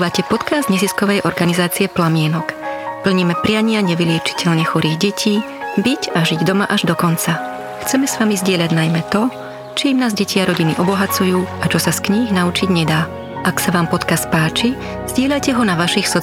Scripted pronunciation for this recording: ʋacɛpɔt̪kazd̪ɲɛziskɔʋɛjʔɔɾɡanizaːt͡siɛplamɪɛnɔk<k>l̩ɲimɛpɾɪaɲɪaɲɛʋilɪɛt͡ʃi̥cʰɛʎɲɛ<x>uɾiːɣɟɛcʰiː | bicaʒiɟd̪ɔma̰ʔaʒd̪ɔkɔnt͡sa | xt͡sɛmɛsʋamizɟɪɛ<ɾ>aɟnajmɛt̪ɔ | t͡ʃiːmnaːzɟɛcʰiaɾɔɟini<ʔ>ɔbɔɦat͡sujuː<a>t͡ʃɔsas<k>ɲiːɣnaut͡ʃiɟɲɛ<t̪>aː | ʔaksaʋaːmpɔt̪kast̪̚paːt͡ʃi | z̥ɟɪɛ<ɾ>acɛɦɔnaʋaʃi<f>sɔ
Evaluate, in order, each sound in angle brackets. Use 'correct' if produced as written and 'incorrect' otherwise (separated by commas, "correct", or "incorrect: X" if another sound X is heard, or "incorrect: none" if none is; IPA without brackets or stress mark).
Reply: incorrect: p, correct, incorrect: ʎ, correct, correct, correct, incorrect: d̪, incorrect: ʎ, incorrect: x